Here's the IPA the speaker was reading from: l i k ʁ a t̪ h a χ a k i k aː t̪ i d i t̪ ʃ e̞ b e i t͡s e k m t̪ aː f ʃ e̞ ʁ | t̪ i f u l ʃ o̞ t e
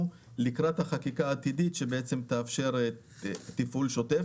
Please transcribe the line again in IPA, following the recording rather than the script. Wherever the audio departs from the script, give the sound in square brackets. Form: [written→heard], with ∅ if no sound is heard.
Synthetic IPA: l i k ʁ a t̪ h a χ a k i k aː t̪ i d i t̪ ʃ e̞ b e [i→e] t͡s e [k→∅] m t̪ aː f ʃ e̞ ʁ | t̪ i f u l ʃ o̞ t e